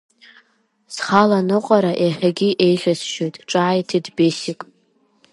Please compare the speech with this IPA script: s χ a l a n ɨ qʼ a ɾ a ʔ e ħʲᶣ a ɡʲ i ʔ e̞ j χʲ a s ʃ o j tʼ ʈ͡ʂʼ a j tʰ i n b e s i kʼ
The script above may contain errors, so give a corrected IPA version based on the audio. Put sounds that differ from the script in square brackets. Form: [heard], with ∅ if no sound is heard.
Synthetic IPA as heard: s χ a l a n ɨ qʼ a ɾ a ʔ e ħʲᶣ a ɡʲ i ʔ e̞ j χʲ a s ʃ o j tʼ ʈ͡ʂʼ a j tʰ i [d] b e s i kʼ